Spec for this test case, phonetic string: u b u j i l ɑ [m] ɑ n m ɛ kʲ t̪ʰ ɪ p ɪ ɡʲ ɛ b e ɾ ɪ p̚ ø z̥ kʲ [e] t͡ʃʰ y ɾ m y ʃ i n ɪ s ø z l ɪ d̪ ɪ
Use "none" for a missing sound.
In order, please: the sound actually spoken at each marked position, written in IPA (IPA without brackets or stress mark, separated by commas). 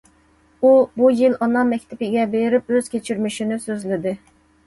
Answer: n, e